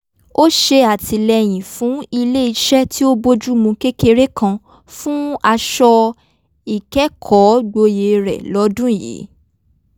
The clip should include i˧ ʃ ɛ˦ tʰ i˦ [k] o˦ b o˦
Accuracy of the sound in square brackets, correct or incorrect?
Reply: incorrect